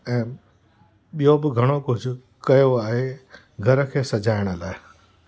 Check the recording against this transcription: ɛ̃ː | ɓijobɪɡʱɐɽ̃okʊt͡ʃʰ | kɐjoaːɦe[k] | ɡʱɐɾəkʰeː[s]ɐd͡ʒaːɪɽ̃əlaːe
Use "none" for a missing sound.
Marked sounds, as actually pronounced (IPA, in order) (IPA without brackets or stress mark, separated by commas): none, s